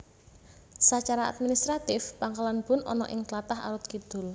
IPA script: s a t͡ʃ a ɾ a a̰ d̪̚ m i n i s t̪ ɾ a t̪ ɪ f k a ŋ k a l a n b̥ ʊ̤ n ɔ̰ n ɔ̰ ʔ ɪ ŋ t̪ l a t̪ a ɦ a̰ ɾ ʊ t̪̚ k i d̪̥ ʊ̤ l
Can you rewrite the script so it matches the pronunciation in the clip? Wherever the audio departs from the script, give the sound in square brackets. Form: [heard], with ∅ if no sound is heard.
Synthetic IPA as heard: s a t͡ʃ a ɾ a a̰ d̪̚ m i n i s t̪ ɾ a t̪ ɪ f [p] a ŋ k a l a n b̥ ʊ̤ n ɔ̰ n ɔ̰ ʔ ɪ ŋ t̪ l a t̪ a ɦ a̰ ɾ ʊ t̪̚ k i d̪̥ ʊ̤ l